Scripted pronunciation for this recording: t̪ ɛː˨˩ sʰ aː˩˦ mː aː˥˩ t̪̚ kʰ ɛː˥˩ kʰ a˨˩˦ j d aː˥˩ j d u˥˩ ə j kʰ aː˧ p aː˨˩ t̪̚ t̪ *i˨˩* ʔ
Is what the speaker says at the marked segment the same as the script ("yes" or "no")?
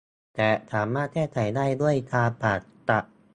no